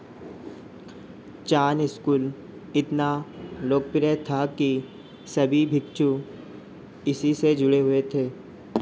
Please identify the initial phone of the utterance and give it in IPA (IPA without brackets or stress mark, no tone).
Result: t͡ʃ